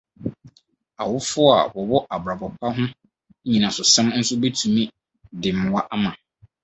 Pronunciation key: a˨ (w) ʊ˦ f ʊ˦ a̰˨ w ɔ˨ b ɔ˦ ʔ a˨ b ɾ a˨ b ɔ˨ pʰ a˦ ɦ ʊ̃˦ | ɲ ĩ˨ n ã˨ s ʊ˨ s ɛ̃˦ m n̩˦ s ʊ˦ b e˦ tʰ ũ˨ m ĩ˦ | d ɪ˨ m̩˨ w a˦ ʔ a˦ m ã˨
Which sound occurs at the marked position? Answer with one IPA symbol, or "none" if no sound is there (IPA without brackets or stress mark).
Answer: w